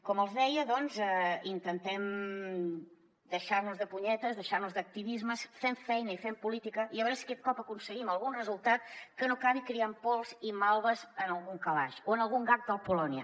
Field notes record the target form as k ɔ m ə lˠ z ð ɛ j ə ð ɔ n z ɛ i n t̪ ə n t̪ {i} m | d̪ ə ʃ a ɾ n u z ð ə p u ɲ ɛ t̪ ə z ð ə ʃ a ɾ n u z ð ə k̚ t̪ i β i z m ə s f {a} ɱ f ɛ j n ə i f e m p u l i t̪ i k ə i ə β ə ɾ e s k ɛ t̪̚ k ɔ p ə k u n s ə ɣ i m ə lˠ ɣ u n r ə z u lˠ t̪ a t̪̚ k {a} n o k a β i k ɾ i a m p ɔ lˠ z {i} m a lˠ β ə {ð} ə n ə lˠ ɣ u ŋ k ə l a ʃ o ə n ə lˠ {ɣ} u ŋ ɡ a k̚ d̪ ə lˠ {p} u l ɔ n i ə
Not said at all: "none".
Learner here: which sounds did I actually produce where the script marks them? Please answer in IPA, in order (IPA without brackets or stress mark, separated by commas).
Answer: ɛ, e, ə, i, z, ɣ, p